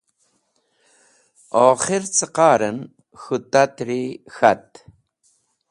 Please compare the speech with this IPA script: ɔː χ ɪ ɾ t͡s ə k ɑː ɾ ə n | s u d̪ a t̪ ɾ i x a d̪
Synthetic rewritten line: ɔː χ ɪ ɾ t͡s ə q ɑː ɾ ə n | x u t̪ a t̪ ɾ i x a t̪